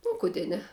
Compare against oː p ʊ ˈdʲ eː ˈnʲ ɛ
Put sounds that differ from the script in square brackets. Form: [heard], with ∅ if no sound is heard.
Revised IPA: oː [k] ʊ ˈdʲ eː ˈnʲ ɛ